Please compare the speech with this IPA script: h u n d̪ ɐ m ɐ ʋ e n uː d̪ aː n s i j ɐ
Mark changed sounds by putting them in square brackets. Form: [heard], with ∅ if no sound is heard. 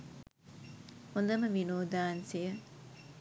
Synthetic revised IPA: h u n d̪ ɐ m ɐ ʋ [i] n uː d̪ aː n s i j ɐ